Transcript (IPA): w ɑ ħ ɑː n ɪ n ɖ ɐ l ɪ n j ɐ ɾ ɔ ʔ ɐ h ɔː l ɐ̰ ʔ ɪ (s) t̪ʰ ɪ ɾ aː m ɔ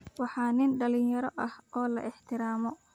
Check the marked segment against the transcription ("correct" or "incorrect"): incorrect